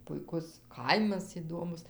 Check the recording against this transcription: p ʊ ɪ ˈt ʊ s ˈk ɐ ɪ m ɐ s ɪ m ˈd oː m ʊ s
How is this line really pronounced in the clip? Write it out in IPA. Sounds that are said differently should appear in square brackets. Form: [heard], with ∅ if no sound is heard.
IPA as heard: p ʊ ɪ [ˈk] ʊ s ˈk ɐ ɪ m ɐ s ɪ [∅] ˈd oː m ʊ s